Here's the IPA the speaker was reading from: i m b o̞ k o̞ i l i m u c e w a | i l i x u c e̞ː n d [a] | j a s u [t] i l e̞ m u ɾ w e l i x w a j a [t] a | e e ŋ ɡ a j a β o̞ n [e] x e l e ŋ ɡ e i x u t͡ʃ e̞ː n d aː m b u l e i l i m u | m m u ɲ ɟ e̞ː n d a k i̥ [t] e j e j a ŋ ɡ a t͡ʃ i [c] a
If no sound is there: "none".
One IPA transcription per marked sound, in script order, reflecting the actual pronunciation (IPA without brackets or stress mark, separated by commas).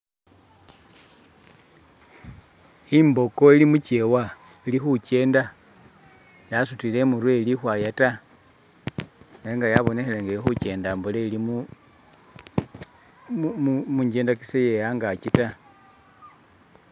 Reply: a, t, t, e, s, t